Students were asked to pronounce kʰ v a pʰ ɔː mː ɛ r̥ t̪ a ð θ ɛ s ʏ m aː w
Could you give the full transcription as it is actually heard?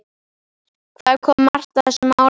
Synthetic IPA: kʰ v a kʰ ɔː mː a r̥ t̪ a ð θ ɛ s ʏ m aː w